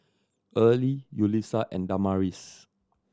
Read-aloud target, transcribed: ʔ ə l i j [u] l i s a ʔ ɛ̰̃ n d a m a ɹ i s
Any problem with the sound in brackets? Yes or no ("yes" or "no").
no